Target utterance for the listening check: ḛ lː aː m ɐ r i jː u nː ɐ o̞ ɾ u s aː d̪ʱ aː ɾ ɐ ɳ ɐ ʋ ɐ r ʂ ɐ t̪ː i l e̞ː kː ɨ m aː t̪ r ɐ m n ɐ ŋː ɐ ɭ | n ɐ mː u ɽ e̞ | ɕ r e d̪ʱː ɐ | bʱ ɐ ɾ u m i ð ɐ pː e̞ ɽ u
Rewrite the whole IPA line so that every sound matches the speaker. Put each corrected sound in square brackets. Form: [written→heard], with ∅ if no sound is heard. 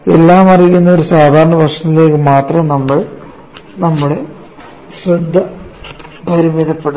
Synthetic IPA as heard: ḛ lː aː m ɐ r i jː u nː ɐ o̞ ɾ u s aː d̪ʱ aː ɾ ɐ ɳ ɐ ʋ ɐ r ʂ ɐ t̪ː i l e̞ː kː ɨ m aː t̪ r ɐ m n ɐ [ŋː→mː] ɐ ɭ | n ɐ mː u ɽ e̞ | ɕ r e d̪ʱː ɐ | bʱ ɐ ɾ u m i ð ɐ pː e̞ ɽ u